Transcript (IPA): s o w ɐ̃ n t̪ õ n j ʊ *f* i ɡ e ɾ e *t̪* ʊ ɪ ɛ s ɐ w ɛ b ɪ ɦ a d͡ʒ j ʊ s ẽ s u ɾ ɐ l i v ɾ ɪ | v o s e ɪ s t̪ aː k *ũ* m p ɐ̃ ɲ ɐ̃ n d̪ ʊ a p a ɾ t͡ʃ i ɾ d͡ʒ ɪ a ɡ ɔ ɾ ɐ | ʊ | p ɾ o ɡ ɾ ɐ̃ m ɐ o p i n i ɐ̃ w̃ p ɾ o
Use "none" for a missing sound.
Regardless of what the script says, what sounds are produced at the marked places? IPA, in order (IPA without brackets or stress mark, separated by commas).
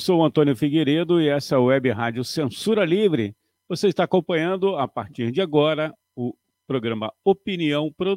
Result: f, d̪, õ